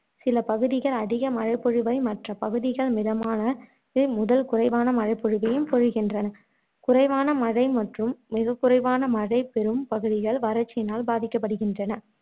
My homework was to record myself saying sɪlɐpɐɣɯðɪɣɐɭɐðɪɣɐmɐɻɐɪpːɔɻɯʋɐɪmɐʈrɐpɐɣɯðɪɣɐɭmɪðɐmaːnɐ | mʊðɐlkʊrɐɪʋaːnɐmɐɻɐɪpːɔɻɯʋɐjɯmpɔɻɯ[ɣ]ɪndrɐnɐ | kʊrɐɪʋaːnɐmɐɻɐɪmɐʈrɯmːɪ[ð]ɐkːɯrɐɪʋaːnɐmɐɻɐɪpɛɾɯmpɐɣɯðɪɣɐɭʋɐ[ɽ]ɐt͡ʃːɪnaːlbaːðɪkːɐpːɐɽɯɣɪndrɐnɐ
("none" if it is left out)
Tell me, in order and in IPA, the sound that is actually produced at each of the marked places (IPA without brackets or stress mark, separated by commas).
ɣ, ɣ, ɾ